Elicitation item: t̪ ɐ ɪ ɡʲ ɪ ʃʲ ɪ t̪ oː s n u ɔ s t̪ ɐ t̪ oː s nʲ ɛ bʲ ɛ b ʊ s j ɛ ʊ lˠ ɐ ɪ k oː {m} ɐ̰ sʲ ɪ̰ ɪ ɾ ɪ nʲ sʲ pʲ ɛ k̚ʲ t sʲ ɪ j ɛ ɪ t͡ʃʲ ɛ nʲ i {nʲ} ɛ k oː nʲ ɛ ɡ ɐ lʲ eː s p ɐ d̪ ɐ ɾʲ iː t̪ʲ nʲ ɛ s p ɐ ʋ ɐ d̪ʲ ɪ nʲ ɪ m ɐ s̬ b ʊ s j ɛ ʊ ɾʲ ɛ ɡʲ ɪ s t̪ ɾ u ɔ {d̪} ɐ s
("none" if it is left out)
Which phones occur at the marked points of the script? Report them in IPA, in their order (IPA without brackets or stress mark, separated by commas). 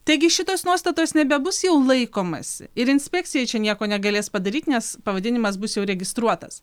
m, none, t̪